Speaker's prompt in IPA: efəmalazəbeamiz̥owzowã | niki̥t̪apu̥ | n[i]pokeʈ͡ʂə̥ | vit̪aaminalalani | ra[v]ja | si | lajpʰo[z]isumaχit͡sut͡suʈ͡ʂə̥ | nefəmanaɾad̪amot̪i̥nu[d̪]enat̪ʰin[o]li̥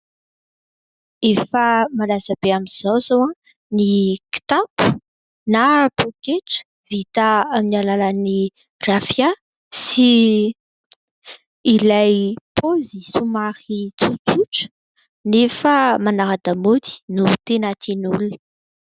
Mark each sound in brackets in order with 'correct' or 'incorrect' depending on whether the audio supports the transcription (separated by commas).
incorrect, incorrect, correct, incorrect, incorrect